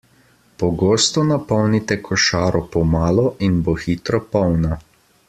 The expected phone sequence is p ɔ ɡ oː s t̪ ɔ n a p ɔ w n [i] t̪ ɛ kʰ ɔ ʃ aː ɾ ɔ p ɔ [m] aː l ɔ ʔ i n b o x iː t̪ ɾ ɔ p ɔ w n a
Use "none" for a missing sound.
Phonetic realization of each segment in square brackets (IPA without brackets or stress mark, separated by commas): i, m